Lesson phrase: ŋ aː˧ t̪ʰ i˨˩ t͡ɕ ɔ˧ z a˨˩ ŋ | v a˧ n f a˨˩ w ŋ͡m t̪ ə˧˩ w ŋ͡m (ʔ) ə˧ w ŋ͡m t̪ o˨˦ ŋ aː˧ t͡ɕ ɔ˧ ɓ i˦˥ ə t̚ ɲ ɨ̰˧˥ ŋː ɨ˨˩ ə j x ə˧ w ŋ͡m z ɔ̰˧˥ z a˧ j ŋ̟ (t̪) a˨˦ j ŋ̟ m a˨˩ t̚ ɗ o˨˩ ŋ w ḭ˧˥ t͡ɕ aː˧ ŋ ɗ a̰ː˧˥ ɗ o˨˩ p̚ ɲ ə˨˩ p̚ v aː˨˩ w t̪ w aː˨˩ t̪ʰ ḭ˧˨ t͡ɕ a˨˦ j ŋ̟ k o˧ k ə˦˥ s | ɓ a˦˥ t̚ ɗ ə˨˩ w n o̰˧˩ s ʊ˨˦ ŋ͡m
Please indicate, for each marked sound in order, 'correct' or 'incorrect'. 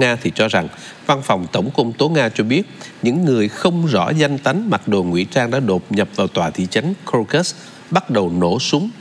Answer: incorrect, correct

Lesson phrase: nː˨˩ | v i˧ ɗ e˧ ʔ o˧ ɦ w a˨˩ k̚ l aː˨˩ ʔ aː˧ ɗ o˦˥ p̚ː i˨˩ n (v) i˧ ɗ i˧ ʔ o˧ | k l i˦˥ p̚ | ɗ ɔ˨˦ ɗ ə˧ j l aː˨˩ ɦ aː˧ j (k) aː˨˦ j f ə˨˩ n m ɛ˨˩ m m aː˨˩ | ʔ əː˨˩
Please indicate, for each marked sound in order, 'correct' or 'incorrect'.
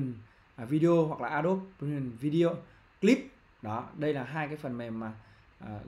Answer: correct, correct

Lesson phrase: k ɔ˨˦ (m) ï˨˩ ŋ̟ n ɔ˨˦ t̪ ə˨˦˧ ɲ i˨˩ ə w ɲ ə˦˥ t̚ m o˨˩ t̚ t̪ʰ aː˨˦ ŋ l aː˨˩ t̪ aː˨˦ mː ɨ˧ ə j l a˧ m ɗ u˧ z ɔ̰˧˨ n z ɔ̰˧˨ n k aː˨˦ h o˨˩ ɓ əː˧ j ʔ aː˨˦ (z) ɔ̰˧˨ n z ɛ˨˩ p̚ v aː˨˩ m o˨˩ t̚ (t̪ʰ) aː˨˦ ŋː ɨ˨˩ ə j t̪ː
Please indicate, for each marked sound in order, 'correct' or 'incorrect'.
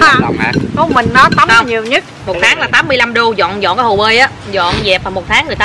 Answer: correct, correct, correct

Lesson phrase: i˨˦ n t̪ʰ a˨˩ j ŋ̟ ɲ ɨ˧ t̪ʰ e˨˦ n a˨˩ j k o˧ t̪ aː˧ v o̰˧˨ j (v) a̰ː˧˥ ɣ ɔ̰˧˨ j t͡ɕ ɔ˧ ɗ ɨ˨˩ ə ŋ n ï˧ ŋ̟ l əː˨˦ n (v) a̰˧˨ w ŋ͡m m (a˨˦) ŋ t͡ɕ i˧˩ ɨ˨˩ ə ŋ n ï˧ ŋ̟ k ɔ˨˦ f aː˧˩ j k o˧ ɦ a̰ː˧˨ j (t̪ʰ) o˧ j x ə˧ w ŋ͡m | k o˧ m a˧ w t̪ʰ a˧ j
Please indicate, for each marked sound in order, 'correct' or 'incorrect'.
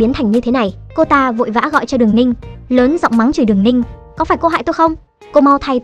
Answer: correct, incorrect, correct, incorrect

